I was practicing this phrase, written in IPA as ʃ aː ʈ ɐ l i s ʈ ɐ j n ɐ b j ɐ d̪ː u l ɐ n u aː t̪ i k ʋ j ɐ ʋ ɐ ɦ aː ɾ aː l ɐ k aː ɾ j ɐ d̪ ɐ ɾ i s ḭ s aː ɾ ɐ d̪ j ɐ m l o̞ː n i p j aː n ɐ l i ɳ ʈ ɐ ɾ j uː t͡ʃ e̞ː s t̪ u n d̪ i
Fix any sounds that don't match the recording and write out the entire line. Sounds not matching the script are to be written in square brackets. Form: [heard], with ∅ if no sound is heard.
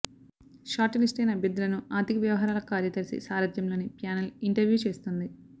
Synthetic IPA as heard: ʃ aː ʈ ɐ l i s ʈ ɐ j n ɐ b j ɐ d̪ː u l ɐ n u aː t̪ i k ʋ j ɐ ʋ ɐ ɦ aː ɾ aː l ɐ k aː ɾ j ɐ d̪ ɐ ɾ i s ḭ s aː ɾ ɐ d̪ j ɐ m l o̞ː n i p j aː n ɐ l i ɳ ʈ ɐ ɾ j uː t͡ʃ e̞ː s t̪ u n d̪ i